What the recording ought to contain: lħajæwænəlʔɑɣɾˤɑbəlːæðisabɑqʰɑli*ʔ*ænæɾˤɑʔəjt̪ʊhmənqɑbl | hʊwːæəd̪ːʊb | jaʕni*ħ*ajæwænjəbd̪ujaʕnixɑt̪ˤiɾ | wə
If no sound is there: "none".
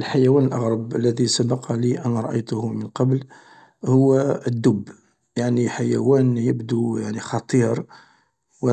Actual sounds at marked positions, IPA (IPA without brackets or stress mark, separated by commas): ʔ, ħ